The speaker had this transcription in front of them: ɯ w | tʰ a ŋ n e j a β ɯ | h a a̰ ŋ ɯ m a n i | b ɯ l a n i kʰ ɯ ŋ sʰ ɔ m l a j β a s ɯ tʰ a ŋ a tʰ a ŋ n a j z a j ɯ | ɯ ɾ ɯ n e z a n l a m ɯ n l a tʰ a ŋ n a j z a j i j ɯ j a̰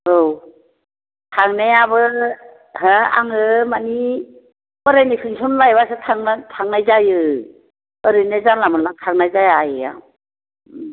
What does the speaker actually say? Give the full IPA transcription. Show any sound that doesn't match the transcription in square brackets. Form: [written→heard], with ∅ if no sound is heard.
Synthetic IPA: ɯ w | tʰ a ŋ n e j a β ɯ | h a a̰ ŋ ɯ m a n i | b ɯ [l→ɾ] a n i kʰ ɯ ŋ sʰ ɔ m l a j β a s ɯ tʰ a ŋ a tʰ a ŋ n a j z a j ɯ | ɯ ɾ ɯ n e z a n l a m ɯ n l a tʰ a ŋ n a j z a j [i→a] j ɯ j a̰